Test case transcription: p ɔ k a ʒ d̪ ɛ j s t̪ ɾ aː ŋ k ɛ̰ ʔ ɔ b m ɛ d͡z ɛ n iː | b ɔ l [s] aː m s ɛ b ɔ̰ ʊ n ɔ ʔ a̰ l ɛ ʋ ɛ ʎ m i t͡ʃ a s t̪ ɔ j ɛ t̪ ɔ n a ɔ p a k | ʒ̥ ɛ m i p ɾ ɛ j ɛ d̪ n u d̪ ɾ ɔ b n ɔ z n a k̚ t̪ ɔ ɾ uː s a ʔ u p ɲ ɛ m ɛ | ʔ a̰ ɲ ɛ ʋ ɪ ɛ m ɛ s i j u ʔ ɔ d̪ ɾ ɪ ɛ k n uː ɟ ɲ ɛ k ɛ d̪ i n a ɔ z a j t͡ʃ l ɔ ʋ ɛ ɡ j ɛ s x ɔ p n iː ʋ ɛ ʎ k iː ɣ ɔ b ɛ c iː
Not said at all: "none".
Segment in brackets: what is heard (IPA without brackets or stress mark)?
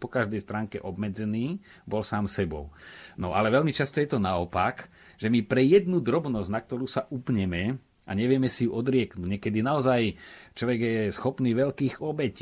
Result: s